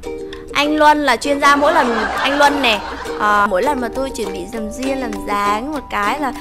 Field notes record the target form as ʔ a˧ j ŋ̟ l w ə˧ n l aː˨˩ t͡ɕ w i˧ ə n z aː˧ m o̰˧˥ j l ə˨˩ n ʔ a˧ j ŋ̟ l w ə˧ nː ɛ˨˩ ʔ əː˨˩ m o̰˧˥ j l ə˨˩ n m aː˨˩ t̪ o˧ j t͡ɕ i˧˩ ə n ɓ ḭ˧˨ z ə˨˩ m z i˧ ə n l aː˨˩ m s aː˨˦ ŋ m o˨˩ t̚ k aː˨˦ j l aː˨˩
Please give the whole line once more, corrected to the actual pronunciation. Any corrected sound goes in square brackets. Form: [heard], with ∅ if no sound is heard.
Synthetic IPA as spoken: ʔ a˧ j ŋ̟ l w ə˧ n l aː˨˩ t͡ɕ w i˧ ə n z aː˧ m o̰˧˥ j l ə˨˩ n ʔ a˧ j ŋ̟ l w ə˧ nː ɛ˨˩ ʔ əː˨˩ m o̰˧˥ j l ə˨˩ n m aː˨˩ t̪ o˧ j t͡ɕ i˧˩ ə n ɓ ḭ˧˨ z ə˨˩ m z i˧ ə n l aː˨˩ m [z] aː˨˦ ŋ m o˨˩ t̚ k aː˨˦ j l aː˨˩